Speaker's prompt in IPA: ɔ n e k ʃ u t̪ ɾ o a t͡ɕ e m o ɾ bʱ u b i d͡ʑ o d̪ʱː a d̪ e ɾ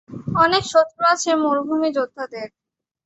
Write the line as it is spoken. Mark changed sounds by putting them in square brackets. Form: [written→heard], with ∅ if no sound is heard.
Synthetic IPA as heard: ɔ n e k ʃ [u→o] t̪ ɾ o a [t͡ɕ→t͡ɕʰ] e m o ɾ bʱ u [b→m] i d͡ʑ o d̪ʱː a d̪ e ɾ